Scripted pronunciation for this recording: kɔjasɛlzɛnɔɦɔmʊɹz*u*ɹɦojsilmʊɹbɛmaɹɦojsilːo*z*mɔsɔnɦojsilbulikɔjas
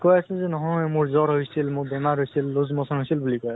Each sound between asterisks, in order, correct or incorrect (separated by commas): incorrect, correct